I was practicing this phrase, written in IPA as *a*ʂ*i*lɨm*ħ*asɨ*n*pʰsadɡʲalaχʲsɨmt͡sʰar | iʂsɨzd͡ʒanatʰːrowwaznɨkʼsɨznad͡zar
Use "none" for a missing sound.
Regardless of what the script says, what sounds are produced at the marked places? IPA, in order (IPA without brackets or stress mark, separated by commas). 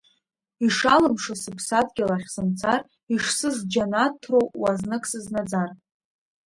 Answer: i, a, ʂ, none